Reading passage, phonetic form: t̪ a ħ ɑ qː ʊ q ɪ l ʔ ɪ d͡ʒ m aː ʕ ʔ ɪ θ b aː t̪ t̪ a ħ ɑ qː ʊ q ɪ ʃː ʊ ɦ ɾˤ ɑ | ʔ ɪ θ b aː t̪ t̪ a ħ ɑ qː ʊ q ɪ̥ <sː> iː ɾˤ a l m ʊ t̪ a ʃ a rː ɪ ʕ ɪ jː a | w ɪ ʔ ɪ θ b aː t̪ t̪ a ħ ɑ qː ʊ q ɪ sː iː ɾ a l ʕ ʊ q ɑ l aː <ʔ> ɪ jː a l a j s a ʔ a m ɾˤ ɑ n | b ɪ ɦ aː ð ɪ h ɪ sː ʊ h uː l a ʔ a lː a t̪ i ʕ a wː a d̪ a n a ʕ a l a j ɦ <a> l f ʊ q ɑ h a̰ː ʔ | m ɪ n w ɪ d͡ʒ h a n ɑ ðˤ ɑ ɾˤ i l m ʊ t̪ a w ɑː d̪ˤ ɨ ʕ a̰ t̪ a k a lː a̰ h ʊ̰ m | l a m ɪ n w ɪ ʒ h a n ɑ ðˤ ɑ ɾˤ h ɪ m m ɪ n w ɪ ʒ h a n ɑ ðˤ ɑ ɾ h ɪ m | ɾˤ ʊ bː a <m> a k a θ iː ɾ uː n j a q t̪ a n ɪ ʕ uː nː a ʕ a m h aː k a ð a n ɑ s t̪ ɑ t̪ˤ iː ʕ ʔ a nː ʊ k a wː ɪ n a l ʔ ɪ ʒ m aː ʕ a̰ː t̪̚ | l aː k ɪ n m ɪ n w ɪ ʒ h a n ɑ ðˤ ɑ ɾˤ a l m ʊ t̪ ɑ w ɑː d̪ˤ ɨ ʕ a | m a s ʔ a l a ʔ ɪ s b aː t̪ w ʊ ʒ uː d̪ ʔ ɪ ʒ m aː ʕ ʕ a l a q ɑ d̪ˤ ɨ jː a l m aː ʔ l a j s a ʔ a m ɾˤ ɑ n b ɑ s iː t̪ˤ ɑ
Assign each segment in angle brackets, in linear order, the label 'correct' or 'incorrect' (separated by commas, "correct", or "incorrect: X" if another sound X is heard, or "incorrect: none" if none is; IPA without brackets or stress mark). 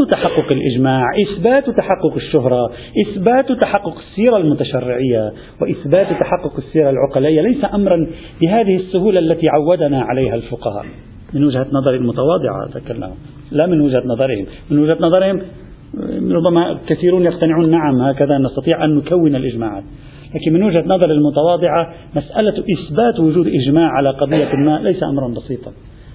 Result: correct, correct, correct, correct